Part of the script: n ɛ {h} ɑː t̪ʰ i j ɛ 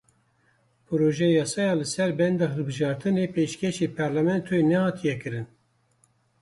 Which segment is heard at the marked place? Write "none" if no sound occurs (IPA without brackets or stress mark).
h